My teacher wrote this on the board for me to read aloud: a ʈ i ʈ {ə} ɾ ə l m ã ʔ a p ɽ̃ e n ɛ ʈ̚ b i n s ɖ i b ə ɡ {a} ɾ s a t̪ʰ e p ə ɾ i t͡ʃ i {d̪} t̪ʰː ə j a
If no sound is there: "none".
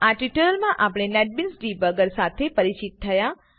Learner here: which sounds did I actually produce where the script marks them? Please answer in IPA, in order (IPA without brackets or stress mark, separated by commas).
ə, ə, t̪